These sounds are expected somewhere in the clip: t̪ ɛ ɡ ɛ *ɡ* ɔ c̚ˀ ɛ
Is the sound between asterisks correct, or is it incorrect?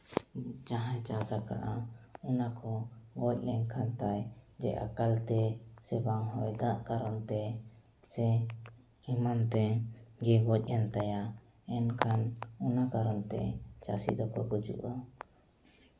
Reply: correct